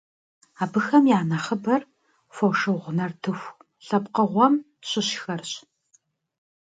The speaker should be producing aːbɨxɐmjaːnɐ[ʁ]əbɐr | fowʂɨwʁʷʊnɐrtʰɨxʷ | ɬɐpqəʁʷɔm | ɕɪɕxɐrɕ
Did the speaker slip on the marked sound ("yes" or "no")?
yes